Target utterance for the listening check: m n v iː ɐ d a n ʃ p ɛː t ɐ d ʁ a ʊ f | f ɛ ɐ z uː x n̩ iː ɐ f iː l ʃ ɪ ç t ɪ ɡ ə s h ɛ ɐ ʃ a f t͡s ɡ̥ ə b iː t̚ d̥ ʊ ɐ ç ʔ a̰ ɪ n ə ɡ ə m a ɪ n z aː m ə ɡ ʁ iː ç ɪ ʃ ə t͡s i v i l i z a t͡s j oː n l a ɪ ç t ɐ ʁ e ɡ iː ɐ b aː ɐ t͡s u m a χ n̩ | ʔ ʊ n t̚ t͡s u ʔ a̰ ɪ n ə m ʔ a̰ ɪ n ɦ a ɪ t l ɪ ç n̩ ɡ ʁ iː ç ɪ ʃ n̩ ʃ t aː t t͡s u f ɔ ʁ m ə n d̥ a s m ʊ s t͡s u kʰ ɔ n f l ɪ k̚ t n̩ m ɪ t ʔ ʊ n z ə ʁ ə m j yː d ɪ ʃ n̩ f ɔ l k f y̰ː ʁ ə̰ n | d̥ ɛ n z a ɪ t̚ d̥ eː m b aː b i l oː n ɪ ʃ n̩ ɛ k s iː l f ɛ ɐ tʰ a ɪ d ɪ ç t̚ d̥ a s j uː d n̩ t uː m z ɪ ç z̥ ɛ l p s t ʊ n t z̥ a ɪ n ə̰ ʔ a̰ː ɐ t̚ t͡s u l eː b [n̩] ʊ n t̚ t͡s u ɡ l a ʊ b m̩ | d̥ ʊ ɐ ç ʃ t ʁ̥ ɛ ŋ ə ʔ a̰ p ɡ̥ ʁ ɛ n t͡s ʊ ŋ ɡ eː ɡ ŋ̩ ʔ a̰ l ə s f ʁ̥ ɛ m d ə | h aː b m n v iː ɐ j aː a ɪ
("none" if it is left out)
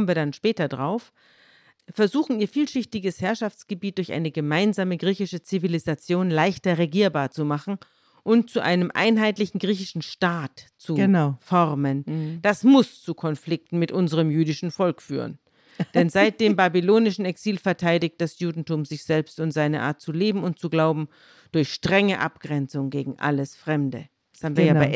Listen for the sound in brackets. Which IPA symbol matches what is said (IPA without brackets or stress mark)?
m̩